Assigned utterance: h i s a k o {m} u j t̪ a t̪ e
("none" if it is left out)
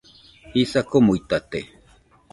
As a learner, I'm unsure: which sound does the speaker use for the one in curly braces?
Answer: m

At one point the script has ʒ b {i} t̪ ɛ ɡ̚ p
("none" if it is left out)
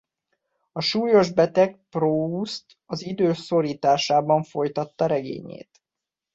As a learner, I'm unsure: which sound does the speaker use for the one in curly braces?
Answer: ɛ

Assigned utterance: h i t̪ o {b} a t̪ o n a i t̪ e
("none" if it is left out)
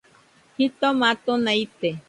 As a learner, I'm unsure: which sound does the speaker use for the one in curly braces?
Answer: m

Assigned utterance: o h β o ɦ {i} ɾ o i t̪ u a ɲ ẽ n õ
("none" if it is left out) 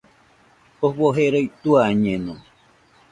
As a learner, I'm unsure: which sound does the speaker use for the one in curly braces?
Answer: e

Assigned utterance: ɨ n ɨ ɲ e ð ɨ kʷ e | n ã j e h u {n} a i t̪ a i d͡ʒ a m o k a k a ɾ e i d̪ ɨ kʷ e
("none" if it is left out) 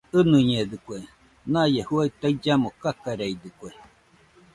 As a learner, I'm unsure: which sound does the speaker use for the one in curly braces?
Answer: none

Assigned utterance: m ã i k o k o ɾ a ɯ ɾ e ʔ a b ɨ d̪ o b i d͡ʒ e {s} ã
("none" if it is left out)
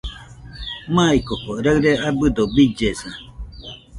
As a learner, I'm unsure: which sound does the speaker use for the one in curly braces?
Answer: s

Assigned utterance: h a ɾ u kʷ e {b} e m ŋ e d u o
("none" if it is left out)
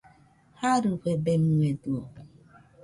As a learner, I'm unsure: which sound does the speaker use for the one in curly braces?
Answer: b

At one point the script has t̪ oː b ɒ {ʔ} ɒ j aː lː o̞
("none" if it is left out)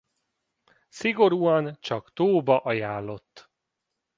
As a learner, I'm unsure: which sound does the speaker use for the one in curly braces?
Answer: ʔ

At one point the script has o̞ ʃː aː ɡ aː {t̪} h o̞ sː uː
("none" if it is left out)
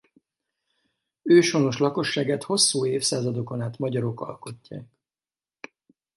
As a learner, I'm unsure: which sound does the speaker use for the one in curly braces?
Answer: t̪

